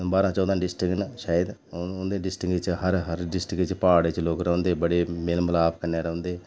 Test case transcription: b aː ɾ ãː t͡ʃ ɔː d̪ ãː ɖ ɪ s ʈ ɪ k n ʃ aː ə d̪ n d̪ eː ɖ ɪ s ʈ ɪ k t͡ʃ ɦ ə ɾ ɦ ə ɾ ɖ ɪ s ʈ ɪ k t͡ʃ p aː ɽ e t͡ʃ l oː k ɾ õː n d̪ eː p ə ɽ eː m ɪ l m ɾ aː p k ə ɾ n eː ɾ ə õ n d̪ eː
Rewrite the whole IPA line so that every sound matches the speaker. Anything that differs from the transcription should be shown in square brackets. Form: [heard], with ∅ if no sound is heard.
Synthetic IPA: b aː ɾ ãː t͡ʃ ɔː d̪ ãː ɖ ɪ s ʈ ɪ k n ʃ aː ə d̪ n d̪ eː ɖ ɪ s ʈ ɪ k t͡ʃ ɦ ə ɾ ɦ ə ɾ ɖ ɪ s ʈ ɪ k t͡ʃ p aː ɽ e t͡ʃ l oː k ɾ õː n d̪ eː [b] ə ɽ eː m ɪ l m [l] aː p k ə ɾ n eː ɾ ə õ n d̪ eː

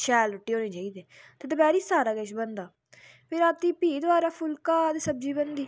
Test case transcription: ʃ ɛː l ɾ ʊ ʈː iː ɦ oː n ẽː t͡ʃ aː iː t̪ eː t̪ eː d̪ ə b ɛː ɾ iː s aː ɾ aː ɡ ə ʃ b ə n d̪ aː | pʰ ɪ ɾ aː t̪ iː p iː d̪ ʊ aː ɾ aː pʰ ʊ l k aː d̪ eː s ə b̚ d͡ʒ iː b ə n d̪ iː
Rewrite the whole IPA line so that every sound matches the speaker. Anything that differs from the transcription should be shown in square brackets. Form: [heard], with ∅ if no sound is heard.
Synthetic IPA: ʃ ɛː l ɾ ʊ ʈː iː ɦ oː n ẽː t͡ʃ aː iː [d̪] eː t̪ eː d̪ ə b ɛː ɾ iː s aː ɾ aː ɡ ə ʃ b ə n d̪ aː | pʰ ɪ ɾ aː t̪ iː p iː d̪ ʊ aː ɾ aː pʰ ʊ l k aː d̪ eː s ə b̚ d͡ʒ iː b ə n d̪ iː

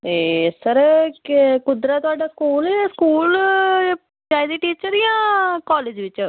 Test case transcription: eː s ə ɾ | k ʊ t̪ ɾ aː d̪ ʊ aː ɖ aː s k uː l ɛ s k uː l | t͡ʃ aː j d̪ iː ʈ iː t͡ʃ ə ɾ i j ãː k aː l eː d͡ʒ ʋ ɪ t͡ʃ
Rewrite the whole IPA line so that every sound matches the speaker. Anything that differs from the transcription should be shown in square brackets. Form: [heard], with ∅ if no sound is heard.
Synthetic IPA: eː s ə ɾ | k ʊ [d̪] ɾ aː [t̪] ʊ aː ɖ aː s k uː l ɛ s k uː l | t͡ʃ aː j d̪ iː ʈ iː t͡ʃ ə ɾ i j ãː k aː l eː d͡ʒ ʋ ɪ t͡ʃ

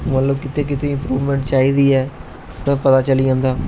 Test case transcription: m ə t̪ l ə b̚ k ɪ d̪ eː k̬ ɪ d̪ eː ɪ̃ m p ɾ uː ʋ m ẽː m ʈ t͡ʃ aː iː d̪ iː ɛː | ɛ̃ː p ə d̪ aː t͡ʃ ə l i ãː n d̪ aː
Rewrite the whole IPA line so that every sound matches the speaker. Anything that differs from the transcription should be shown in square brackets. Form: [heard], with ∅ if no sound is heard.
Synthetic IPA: m ə t̪ l ə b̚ k ɪ [t̪] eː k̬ ɪ [t̪] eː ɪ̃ m p ɾ uː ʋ m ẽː [ɳ] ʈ t͡ʃ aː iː d̪ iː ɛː | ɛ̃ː p ə [t̪] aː t͡ʃ ə l i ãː n d̪ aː

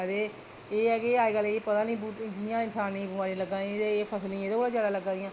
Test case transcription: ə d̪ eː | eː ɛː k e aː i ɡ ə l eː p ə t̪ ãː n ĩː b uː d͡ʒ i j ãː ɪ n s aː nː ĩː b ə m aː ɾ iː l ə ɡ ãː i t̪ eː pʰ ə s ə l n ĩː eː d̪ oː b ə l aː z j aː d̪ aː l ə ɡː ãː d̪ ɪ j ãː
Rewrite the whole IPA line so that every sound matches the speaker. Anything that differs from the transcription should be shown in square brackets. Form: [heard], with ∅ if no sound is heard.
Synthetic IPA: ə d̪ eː | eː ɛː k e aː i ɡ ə l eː p ə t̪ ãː n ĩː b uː d͡ʒ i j ãː ɪ n s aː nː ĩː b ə m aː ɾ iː l ə ɡ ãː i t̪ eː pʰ ə s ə l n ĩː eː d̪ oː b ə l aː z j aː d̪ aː l ə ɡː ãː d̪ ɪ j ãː

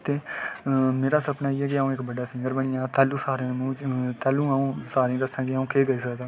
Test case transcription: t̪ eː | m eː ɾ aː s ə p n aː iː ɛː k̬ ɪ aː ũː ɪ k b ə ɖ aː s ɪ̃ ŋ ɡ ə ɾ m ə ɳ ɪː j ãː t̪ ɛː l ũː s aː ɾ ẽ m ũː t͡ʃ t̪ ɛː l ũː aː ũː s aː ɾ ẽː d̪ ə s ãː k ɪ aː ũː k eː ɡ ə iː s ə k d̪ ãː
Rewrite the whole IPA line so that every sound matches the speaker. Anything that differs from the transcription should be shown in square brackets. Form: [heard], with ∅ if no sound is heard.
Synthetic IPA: t̪ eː | m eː ɾ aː s ə p n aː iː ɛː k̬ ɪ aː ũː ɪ k b ə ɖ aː s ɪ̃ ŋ ɡ ə ɾ [b] ə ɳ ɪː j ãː t̪ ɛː l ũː s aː ɾ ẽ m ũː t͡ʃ t̪ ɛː l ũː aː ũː s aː ɾ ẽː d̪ ə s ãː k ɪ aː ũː k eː ɡ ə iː s ə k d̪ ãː

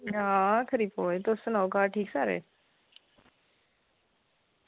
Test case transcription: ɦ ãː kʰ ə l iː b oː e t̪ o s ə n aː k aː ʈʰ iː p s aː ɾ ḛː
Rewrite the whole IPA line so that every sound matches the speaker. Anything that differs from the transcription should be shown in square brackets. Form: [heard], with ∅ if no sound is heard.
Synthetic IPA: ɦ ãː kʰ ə [ɾ] iː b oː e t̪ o s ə n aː k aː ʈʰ iː [k] s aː ɾ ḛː

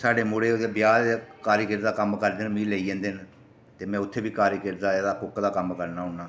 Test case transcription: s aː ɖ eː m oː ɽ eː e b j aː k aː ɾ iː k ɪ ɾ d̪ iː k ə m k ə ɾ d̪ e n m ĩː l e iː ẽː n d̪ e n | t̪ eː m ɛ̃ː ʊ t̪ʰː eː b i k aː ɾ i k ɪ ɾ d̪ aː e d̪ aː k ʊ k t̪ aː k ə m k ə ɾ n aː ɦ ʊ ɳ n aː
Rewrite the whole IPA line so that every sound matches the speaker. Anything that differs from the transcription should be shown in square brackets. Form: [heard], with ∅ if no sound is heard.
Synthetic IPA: s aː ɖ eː m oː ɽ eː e b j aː k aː ɾ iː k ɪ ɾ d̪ [aː] k ə m k ə ɾ d̪ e n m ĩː l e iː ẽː n d̪ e n | t̪ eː m ɛ̃ː ʊ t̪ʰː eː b [iː] k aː ɾ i k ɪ ɾ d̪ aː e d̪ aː k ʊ k [d̪] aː k ə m k ə ɾ n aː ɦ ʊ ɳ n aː

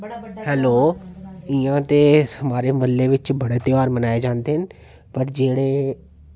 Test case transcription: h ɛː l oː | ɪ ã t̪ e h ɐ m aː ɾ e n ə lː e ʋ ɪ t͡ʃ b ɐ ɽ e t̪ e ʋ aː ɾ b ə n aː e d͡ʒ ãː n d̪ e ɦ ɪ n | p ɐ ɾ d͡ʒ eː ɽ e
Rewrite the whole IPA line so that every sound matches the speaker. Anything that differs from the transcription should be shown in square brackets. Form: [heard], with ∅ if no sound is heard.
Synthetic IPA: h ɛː l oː | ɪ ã t̪ e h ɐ m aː ɾ e [m] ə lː e ʋ ɪ t͡ʃ b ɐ ɽ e t̪ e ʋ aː ɾ [m] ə n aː e d͡ʒ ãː n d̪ e ɦ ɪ n | p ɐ ɾ d͡ʒ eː ɽ e

